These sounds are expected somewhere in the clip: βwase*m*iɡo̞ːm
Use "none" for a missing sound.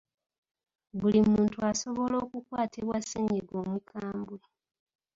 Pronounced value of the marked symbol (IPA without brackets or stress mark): ɲ